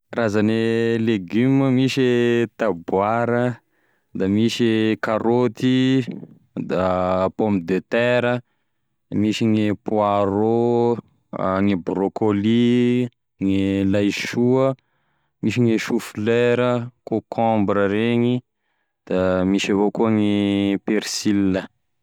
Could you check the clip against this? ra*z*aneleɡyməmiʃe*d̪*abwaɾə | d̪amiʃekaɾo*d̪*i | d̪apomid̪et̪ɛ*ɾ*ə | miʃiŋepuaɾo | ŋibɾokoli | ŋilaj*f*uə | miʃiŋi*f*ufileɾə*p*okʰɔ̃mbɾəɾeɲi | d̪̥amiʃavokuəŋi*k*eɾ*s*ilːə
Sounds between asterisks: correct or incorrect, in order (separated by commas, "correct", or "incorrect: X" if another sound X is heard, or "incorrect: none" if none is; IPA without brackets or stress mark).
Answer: correct, incorrect: t̪, incorrect: t̪, correct, incorrect: ʃ, incorrect: ʃ, incorrect: k, incorrect: p, correct